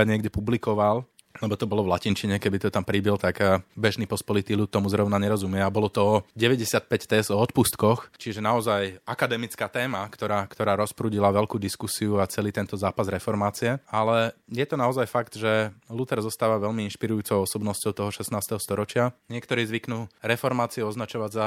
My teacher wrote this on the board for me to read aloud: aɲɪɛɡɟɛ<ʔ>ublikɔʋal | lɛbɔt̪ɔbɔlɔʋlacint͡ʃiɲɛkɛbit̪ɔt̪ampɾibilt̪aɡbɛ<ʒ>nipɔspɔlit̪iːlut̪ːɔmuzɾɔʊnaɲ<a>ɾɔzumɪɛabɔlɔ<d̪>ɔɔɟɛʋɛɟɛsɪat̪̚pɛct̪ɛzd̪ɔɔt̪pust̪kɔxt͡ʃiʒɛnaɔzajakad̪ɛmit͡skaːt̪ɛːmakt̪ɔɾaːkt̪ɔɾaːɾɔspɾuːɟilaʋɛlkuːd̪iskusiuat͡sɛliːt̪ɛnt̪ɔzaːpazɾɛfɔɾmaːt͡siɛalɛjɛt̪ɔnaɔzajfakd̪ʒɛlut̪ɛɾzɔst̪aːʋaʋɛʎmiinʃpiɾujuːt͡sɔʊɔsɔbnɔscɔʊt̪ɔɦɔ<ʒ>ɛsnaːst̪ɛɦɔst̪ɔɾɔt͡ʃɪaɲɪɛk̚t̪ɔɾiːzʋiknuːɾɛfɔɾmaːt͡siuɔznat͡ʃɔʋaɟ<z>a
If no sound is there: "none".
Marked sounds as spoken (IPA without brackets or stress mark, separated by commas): p, ʒ, ɛ, t̪, ʃ, z